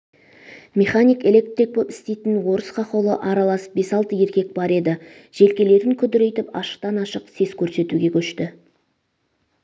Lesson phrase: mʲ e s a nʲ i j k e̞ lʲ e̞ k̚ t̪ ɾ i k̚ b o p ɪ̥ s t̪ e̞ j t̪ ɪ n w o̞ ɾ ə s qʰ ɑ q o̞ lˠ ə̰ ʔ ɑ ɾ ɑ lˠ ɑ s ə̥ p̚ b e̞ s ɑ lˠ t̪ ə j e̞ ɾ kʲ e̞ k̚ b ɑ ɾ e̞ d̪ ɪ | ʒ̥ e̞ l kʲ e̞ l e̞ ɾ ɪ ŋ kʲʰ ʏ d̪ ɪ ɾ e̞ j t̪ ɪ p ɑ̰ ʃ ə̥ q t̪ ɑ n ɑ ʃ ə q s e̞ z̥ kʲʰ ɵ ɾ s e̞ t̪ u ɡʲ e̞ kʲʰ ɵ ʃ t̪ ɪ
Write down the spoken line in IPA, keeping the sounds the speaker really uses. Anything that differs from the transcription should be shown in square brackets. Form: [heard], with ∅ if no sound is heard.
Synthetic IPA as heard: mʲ e [χ] a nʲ i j k e̞ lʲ e̞ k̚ t̪ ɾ i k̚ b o p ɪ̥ s t̪ e̞ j t̪ ɪ n w o̞ ɾ ə s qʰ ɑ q o̞ lˠ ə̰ ʔ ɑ ɾ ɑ lˠ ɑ s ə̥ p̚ b e̞ s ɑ lˠ t̪ ə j e̞ ɾ kʲ e̞ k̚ b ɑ ɾ e̞ d̪ ɪ | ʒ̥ e̞ l kʲ e̞ l e̞ ɾ ɪ ŋ kʲʰ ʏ d̪ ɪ ɾ e̞ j t̪ ɪ p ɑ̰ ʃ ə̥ q t̪ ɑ n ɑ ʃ ə q s e̞ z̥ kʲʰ ɵ ɾ s e̞ t̪ u ɡʲ e̞ kʲʰ ɵ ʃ t̪ ɪ